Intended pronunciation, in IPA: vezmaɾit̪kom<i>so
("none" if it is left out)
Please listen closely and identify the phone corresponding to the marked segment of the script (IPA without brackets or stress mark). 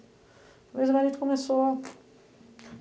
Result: e